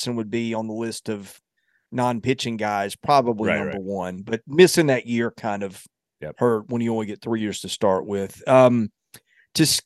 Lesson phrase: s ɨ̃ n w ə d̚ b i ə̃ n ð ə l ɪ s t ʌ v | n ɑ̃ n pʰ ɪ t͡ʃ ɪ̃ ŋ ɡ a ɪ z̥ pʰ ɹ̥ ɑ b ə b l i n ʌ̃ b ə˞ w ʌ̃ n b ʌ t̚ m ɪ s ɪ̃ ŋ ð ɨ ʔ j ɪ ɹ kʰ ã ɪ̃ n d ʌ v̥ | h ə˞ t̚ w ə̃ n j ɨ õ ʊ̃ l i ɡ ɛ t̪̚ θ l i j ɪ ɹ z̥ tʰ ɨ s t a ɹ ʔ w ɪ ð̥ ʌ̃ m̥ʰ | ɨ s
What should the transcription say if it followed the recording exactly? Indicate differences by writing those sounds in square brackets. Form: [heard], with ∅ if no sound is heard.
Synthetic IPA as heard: s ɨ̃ n w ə d̚ b i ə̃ n ð ə l ɪ s t ʌ v | n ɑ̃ n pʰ ɪ t͡ʃ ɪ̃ ŋ ɡ a ɪ z̥ pʰ ɹ̥ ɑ b ə b l i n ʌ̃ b ə˞ w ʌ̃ n b ʌ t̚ m ɪ s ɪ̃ ŋ ð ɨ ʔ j ɪ ɹ kʰ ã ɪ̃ n d ʌ v̥ | h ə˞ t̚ w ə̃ n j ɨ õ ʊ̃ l i ɡ ɛ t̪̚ θ [ɹ] i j ɪ ɹ z̥ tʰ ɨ s t [ɑ] ɹ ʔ w ɪ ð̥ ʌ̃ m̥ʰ | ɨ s